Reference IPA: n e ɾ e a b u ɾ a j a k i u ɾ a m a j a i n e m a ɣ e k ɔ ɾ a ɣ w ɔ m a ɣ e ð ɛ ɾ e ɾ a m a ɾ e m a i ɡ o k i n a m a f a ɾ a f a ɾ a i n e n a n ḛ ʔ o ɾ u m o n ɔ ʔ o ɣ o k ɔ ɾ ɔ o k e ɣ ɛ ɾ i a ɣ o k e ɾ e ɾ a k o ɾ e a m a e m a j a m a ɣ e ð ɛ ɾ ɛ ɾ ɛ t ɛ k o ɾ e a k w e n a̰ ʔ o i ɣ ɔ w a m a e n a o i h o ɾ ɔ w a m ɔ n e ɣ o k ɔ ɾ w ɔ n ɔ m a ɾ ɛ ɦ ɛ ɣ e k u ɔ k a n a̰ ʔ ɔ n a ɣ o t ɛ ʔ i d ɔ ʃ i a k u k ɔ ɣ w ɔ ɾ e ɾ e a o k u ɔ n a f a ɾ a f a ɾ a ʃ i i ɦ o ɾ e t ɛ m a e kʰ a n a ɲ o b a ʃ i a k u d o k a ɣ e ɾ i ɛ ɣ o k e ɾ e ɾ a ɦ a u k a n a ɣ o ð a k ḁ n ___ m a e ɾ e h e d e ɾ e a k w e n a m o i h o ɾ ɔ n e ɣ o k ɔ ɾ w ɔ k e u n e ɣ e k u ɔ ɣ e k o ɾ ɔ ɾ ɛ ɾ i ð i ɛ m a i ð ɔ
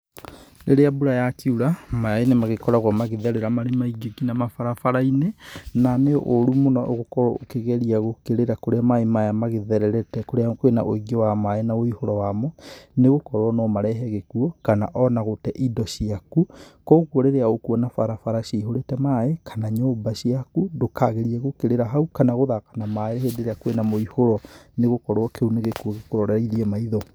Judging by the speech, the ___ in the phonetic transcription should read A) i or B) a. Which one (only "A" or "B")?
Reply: B